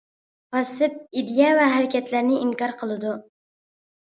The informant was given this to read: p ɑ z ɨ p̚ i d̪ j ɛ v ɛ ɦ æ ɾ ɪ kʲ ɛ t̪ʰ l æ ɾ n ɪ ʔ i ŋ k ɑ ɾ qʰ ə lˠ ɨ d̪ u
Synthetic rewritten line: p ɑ s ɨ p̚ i d̪ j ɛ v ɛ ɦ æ ɾ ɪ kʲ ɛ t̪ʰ l æ ɾ n ɪ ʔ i ŋ k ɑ ɾ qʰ ə lˠ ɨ d̪ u